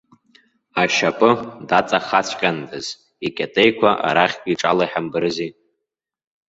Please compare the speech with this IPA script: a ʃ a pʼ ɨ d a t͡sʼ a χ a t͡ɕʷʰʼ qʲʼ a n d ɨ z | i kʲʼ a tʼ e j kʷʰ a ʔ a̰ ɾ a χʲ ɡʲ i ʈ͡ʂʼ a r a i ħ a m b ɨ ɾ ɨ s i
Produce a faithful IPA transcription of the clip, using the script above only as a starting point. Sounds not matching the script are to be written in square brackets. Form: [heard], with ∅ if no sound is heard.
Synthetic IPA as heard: a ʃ a pʼ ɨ d a t͡sʼ a χ a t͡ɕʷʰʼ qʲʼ a n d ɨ z | i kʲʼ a tʼ e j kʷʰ a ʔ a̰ ɾ a χʲ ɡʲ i ʈ͡ʂʼ a [l] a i ħ a m b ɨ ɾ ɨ [z] i